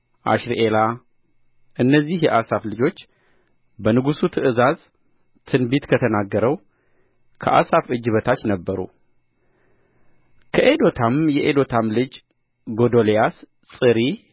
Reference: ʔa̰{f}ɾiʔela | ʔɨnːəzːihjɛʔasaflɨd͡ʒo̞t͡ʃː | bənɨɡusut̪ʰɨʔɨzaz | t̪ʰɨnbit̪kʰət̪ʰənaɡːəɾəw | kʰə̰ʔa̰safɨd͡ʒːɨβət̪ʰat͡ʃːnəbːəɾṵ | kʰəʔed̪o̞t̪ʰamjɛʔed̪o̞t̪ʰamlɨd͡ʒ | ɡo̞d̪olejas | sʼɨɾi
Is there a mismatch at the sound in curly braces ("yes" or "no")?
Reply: yes